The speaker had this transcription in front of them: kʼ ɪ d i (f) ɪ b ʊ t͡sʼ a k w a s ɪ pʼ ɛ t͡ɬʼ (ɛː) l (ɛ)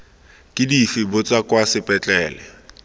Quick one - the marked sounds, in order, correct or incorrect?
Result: correct, correct, correct

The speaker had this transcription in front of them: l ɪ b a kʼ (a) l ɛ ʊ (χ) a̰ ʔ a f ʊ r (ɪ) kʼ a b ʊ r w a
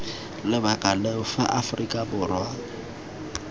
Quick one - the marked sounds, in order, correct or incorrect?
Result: correct, incorrect, incorrect

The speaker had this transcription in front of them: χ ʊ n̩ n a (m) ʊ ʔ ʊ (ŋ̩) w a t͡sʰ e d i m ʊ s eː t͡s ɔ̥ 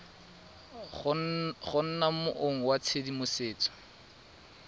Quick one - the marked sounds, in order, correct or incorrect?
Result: correct, correct

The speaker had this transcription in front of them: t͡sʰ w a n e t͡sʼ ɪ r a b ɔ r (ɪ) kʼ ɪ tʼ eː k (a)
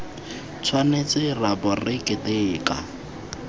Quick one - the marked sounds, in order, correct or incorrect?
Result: correct, correct

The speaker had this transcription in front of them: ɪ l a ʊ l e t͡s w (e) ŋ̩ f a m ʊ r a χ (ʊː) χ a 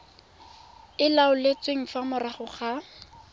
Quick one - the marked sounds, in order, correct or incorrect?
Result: correct, incorrect

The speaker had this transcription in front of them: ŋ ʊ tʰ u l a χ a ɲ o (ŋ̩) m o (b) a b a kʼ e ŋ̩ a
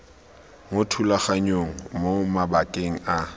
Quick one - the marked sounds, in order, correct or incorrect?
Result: correct, incorrect

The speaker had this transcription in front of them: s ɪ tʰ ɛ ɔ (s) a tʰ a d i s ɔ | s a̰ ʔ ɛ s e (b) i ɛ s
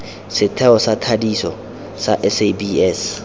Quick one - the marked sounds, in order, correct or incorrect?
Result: correct, correct

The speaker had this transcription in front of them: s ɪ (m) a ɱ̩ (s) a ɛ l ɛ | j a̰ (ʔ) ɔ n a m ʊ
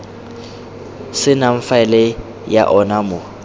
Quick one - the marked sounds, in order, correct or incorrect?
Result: incorrect, incorrect, correct

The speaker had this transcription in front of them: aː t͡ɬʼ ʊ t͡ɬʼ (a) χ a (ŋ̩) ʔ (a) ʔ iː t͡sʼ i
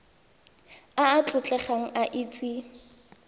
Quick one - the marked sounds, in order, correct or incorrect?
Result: incorrect, correct, correct

